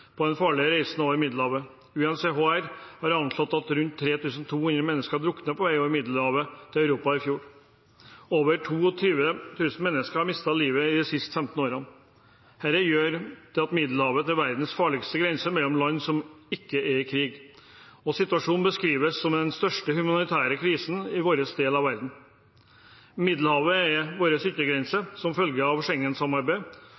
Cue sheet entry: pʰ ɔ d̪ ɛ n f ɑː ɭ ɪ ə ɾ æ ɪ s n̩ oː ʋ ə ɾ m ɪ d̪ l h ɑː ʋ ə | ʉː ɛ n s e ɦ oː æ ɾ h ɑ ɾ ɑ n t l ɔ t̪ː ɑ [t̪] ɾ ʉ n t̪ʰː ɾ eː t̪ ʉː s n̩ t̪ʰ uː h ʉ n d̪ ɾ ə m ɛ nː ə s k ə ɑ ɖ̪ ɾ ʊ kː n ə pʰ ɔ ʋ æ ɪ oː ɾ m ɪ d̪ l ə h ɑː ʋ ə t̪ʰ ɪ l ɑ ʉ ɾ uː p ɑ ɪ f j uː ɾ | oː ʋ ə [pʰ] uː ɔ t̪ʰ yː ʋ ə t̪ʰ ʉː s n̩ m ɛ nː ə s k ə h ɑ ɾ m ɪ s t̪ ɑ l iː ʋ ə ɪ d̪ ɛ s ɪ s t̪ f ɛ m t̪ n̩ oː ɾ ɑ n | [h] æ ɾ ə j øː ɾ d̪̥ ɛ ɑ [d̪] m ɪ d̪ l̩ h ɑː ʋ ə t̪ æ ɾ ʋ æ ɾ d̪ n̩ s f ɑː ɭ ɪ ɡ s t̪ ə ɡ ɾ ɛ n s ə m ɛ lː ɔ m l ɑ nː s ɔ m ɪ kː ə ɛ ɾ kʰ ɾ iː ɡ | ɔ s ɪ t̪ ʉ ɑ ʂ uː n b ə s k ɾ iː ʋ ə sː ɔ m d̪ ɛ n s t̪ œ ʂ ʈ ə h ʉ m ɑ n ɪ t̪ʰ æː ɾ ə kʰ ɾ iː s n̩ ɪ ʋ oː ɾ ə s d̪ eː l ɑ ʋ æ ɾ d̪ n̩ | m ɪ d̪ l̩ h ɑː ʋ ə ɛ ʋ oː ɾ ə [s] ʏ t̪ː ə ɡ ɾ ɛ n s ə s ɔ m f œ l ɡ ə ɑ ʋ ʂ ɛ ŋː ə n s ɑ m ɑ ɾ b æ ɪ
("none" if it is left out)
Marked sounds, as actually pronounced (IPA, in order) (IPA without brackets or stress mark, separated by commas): t̪, ʈʰ, h, t̪, s